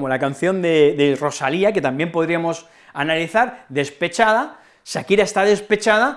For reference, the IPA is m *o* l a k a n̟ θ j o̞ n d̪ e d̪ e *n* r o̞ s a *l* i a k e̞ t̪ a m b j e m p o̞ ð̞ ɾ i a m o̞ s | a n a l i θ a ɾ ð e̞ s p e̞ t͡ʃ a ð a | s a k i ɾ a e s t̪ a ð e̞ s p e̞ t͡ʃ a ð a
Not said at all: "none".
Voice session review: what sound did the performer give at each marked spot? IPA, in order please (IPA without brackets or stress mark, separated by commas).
o, none, l